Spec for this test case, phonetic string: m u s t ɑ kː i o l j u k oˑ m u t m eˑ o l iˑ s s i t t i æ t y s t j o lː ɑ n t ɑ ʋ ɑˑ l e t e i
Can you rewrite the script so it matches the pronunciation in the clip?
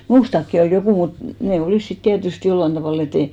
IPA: m uː s t ɑ kː i o l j o k uˑ m u t n eˑ o l iˑ s s i t t i æ t y s t j o lː ɑ n t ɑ ʋ ɑˑ l e t e i